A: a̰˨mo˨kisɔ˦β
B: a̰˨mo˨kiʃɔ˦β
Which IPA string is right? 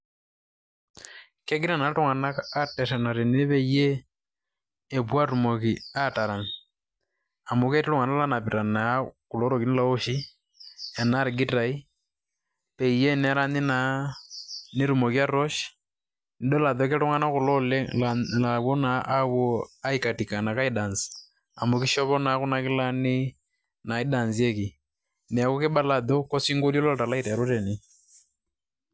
B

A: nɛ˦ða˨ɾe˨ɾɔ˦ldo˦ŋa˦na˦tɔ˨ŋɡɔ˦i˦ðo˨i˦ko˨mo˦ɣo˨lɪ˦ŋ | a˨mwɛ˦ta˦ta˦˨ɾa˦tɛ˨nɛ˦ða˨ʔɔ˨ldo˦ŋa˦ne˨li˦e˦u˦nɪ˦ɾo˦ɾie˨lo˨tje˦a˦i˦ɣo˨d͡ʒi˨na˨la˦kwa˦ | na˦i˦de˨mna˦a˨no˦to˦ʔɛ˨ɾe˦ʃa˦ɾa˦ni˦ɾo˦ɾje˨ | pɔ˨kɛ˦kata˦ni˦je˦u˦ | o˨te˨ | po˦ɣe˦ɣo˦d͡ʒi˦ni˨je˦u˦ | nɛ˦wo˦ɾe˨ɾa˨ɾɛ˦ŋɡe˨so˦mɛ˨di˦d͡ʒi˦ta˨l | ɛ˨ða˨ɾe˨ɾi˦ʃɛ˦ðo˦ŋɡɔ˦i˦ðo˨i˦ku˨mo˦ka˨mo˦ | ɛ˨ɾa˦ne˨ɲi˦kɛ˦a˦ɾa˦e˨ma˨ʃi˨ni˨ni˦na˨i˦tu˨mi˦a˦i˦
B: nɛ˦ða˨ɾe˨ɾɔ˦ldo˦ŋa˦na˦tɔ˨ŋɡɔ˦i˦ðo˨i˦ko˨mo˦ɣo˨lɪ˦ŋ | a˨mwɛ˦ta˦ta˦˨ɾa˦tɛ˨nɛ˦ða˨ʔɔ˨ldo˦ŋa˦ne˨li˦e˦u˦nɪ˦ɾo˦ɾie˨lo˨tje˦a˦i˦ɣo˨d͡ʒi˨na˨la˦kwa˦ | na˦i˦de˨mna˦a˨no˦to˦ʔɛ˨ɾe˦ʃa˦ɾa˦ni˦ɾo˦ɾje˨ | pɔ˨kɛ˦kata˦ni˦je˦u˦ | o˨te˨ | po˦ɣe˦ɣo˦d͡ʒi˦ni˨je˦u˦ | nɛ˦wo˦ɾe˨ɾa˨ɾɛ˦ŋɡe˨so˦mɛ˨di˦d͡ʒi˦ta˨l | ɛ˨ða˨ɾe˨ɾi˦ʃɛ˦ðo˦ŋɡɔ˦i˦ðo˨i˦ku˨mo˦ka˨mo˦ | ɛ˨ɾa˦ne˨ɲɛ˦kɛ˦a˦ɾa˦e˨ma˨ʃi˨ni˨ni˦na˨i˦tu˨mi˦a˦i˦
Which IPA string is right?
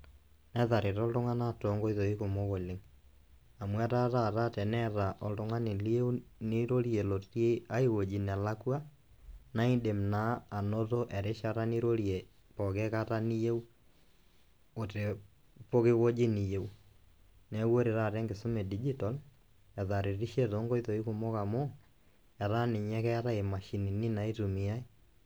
B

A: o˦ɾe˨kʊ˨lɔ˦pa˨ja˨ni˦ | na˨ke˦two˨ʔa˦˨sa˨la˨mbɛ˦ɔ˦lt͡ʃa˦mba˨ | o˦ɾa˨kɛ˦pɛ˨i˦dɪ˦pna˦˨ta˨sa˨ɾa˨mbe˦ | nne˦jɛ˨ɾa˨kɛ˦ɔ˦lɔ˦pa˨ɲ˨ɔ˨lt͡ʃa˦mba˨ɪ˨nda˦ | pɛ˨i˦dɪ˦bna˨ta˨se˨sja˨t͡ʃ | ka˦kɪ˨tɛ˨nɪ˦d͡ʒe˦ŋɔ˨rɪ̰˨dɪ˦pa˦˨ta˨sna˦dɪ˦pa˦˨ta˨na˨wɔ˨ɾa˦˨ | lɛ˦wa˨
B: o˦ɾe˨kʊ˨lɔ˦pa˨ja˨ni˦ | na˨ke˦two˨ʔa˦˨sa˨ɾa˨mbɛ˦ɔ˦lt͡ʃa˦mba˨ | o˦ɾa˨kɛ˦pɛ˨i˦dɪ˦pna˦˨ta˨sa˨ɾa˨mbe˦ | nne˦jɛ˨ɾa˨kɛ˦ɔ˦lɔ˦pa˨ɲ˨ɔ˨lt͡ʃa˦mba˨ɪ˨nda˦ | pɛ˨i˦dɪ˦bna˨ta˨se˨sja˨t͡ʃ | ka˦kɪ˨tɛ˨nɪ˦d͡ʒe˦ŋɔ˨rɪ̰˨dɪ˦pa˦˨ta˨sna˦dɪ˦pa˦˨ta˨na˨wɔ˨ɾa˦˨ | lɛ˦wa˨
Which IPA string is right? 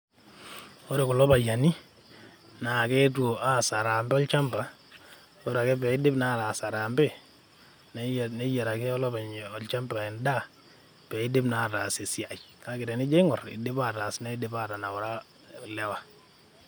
B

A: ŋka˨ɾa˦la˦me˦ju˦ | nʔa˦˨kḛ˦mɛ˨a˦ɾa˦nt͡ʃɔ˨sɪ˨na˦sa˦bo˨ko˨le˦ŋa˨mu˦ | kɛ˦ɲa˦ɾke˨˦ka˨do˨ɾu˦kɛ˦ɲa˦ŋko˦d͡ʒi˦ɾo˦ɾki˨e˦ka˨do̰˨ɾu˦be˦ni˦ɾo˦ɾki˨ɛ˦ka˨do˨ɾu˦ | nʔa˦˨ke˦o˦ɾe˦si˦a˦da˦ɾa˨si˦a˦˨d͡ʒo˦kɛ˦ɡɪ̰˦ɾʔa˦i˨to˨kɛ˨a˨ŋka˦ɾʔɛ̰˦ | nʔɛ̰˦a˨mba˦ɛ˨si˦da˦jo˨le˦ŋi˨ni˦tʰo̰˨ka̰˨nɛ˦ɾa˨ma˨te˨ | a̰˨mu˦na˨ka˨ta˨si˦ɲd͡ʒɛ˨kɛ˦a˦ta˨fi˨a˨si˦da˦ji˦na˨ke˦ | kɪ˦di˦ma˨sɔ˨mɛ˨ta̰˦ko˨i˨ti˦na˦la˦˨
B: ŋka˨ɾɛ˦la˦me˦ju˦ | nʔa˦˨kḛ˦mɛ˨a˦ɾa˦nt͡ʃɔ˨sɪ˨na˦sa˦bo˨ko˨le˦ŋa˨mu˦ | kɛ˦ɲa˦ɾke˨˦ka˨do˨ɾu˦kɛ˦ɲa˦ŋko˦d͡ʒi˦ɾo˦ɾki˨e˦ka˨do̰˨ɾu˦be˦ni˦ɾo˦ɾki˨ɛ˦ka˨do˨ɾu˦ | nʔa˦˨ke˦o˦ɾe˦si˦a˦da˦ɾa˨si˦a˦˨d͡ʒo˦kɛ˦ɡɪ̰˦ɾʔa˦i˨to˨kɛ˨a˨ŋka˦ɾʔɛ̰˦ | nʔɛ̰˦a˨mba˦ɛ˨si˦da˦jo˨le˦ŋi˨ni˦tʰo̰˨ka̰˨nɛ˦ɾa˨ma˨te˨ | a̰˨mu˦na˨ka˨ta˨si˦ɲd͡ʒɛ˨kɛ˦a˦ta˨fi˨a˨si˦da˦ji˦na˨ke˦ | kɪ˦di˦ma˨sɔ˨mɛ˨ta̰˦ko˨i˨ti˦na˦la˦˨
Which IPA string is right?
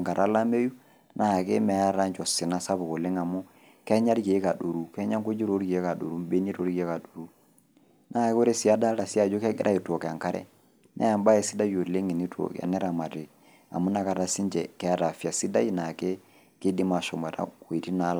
A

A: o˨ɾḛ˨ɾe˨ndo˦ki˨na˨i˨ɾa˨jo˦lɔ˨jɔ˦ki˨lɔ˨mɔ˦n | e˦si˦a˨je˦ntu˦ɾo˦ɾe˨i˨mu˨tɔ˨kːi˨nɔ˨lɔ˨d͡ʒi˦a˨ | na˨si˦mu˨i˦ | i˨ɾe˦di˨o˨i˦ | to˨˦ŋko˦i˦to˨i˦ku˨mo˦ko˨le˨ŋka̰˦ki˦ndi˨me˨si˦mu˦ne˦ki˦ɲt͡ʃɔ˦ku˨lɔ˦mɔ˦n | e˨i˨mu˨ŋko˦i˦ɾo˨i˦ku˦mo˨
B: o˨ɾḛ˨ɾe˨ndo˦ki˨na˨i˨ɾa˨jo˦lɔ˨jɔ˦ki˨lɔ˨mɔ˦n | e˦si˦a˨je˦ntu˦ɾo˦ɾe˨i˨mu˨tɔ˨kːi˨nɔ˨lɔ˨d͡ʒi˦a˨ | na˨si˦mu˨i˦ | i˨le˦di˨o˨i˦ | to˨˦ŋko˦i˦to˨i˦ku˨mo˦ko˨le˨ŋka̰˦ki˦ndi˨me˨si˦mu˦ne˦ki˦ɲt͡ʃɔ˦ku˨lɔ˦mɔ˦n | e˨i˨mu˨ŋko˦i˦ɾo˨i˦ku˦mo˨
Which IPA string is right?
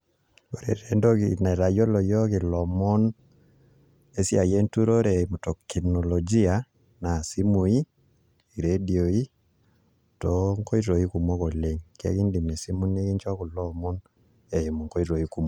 A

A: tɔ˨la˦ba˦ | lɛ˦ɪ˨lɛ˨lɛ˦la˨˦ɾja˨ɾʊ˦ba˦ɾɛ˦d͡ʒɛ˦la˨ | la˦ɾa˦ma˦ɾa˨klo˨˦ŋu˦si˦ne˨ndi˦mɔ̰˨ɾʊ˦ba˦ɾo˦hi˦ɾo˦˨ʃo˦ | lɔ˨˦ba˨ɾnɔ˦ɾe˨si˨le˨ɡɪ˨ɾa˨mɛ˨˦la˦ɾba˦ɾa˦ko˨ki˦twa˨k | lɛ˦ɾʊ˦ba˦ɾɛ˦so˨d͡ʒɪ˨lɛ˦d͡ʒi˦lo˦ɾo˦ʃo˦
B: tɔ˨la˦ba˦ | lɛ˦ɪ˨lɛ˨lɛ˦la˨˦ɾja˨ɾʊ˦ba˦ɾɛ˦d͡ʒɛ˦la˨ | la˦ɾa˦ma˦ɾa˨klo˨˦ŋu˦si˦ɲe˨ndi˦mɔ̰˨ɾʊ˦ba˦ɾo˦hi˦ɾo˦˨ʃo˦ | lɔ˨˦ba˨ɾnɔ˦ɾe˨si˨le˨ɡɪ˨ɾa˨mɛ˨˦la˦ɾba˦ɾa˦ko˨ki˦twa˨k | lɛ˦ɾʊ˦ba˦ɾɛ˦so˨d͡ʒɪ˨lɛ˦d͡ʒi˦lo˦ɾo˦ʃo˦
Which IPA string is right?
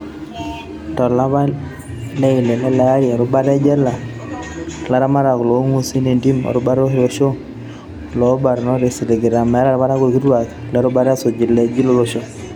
A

